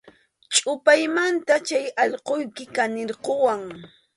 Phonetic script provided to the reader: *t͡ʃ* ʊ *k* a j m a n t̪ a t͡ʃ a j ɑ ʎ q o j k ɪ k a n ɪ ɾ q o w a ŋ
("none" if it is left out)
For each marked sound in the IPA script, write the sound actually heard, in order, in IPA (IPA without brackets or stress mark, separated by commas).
t͡ʃʼ, p